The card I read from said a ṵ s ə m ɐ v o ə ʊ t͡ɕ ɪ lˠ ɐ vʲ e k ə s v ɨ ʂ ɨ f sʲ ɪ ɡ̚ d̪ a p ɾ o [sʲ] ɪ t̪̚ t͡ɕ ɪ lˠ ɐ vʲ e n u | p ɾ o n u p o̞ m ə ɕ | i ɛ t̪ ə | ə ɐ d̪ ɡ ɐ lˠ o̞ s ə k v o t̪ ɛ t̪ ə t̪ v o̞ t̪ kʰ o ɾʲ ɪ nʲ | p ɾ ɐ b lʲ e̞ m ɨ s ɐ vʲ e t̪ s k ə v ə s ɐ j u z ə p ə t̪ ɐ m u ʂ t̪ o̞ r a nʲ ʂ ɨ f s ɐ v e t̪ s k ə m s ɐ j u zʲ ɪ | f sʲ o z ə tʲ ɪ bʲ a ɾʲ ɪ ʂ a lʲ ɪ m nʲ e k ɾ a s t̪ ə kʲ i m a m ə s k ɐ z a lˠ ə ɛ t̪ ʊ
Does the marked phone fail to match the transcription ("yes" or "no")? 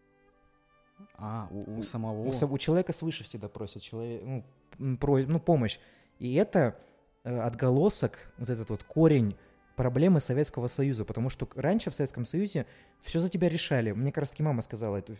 no